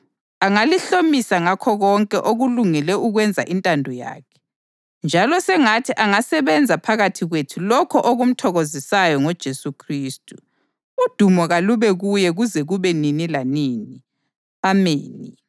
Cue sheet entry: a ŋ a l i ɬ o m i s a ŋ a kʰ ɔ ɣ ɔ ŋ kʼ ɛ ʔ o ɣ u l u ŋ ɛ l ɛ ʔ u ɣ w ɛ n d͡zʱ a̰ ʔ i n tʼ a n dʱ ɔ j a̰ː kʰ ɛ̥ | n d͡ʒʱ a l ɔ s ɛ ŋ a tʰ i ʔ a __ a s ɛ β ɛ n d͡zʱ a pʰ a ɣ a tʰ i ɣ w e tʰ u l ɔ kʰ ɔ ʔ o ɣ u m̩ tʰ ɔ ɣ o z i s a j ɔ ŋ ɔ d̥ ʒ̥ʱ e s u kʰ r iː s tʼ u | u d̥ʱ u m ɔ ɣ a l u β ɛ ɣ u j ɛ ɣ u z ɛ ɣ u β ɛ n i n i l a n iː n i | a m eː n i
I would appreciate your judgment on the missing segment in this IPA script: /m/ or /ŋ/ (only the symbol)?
ŋ